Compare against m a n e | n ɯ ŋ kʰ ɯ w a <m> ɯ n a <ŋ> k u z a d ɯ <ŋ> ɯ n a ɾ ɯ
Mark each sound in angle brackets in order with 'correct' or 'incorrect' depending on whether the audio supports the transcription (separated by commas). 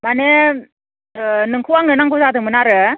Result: incorrect, correct, incorrect